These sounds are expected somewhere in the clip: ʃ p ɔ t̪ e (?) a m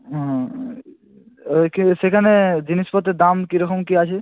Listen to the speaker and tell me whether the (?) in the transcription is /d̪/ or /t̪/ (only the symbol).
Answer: d̪